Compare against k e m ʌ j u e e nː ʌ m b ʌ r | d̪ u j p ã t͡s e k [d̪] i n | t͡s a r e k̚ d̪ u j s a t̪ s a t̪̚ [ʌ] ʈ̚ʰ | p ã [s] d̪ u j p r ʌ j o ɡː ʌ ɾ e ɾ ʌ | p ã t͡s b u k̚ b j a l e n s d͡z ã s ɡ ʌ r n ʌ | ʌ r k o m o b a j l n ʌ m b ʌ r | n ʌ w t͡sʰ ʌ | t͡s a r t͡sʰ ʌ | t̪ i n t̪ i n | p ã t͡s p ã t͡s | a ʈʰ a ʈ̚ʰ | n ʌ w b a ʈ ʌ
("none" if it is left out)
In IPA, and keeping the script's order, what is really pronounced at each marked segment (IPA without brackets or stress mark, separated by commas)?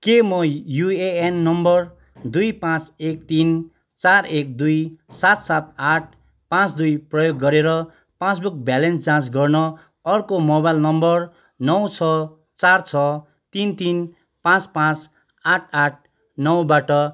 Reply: t̪, a, t͡s